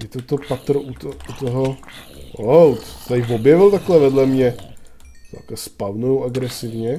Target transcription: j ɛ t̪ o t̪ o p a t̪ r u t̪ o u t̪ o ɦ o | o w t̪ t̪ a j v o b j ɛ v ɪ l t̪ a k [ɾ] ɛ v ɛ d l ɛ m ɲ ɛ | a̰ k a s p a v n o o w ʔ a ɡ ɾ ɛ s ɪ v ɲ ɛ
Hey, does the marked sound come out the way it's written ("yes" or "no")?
no